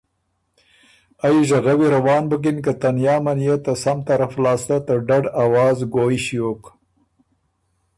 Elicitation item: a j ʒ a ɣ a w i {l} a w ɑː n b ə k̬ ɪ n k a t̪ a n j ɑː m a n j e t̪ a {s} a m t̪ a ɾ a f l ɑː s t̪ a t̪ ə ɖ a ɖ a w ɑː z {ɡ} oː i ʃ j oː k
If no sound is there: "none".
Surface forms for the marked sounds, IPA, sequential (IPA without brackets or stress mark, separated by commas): ɾ, s, ɡ